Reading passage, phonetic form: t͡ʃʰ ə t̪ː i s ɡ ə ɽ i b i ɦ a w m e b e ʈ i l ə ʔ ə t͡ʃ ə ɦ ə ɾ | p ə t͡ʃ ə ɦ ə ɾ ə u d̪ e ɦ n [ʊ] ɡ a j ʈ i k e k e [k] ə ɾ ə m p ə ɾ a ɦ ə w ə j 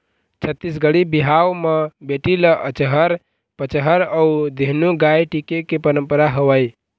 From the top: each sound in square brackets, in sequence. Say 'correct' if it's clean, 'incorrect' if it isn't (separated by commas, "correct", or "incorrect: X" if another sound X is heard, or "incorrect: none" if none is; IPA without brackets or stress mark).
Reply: incorrect: u, incorrect: p